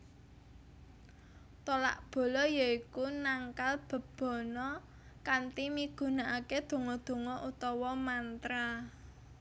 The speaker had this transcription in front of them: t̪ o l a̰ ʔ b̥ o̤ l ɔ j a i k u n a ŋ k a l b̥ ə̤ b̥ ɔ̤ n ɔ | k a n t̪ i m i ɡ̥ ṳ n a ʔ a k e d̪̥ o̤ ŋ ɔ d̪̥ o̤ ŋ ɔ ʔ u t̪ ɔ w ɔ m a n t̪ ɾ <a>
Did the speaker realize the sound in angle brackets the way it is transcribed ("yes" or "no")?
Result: yes